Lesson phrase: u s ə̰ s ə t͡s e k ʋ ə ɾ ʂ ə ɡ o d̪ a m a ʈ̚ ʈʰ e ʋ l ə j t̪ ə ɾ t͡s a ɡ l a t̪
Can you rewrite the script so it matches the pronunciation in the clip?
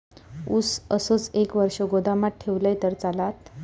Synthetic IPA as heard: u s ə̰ s ə t͡s e k ʋ ə ɾ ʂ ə ɡ o d̪ a m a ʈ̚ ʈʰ e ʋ l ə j t̪ ə ɾ t͡s a l a t̪